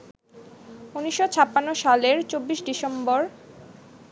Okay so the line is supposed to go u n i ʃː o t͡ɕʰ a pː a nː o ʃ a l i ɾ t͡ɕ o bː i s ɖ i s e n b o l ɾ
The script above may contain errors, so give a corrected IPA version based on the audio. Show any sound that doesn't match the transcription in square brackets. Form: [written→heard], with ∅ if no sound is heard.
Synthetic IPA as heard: u n i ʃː o t͡ɕʰ a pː a nː o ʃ a l [i→e] ɾ t͡ɕ o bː i [s→ʃ] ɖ i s e [n→m] b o [l→∅] ɾ